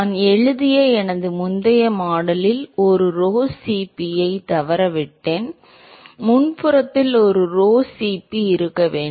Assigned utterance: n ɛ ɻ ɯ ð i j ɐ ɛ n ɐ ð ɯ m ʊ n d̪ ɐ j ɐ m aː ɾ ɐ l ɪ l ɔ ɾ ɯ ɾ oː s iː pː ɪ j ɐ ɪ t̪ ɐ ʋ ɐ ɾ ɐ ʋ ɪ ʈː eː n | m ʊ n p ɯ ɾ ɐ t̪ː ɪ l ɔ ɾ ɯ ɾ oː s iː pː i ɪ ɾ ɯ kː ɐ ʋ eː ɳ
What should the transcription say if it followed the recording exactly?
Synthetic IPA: n ɛ ɻ ɯ ð ɪ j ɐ ɛ n ɐ ð ɯ m ʊ n d̪ ɐ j ɐ m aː ɽ ɐ l ɪ l ɔ ɾ ɯ ɾ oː s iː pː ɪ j ɐ ɪ t̪ ɐ ʋ ɐ ɾ ɐ ʋ ɪ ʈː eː n | m ʊ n p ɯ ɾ ɐ t̪ː ɪ l ɔ ɾ ɯ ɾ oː s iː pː i ɪ ɾ ɯ kː ɐ ʋ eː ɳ